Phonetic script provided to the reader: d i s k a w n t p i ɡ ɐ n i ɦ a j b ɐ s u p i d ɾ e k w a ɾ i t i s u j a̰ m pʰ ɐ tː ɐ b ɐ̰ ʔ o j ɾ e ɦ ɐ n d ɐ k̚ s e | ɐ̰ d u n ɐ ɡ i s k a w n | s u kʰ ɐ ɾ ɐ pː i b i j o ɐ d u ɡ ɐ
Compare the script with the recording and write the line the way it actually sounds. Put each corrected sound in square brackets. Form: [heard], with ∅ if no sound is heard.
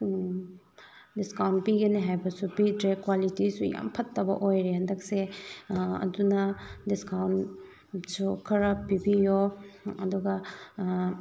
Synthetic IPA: d i s k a w n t p i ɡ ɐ n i ɦ a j b ɐ s u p i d ɾ e k w a [l] i t i s u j a̰ m pʰ ɐ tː ɐ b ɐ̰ ʔ o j ɾ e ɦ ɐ n d ɐ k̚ s e | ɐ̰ d u n ɐ [d] i s k a w n | s u kʰ ɐ ɾ ɐ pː i b i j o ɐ d u ɡ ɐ